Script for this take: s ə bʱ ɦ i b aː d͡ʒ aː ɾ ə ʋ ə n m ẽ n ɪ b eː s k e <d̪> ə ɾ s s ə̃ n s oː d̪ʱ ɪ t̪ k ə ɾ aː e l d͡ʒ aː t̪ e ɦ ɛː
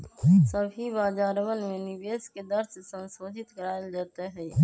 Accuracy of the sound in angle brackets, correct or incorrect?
correct